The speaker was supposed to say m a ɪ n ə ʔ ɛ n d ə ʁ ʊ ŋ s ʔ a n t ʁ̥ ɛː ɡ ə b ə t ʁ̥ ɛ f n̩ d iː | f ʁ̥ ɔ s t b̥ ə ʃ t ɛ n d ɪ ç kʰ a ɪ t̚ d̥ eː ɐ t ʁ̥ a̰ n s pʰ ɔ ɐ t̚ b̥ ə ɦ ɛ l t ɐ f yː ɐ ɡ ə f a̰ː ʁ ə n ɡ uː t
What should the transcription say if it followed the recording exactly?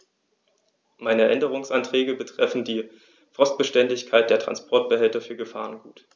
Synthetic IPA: m a ɪ n ə ʔ ɛ n d ə ʁ ʊ ŋ s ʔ a n t ʁ̥ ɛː ɡ ə b ə t ʁ̥ ɛ f n̩ d iː | f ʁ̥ ɔ s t b̥ ə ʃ t ɛ n d ɪ ç kʰ a ɪ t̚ d̥ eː ɐ t ʁ̥ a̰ n s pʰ ɔ ɐ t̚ b̥ ə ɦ ɛ l t ɐ f yː ɐ ɡ ə f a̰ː ʁ ə n ɡ uː t